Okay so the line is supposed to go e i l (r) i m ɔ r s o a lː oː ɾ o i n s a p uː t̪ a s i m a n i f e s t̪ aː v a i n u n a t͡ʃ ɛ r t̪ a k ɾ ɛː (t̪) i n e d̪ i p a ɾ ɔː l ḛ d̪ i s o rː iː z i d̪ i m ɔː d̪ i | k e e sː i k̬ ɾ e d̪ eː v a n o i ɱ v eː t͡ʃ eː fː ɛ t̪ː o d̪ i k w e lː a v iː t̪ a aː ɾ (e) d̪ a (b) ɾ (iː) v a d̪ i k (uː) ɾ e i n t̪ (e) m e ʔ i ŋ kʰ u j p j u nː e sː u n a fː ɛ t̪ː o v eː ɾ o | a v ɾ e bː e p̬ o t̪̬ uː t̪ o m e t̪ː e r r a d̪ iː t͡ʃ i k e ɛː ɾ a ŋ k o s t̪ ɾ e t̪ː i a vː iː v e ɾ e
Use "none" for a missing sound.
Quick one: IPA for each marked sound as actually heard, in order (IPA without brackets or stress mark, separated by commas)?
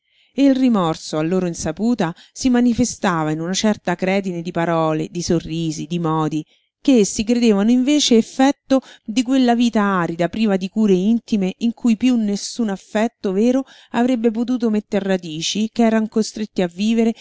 r, d̪, i, p, iː, uː, i